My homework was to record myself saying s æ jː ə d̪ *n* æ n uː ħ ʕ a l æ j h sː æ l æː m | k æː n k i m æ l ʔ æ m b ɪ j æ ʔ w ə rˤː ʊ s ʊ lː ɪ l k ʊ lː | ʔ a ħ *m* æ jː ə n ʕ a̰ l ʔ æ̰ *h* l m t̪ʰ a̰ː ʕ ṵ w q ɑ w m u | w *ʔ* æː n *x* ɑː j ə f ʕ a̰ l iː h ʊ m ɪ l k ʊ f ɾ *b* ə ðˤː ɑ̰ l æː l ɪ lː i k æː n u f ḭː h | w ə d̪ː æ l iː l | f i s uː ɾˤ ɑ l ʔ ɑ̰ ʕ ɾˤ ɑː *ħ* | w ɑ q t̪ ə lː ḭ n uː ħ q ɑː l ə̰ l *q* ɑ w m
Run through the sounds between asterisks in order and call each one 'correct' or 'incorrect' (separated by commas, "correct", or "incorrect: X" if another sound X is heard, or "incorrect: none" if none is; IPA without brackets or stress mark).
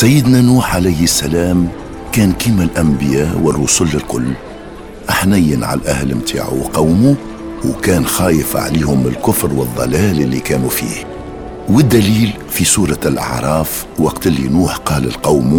correct, incorrect: n, correct, incorrect: k, correct, incorrect: w, incorrect: f, correct